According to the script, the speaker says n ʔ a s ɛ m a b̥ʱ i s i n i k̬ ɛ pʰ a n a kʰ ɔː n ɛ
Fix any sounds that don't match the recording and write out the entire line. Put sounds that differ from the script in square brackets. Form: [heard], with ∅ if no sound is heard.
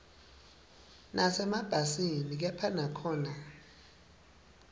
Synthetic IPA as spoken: n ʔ a s ɛ m a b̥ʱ [a] s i n i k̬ ɛ pʰ a n a kʰ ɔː n [a]